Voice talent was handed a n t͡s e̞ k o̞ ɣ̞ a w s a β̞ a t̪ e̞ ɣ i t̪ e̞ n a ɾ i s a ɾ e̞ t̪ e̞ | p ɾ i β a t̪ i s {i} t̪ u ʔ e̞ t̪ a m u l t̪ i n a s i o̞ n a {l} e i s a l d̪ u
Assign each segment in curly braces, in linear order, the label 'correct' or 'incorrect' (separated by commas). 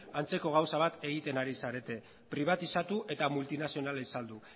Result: incorrect, correct